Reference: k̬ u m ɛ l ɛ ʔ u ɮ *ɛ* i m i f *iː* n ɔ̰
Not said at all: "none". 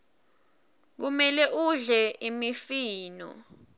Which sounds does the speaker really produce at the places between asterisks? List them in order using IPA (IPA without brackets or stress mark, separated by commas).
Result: ɛ, iː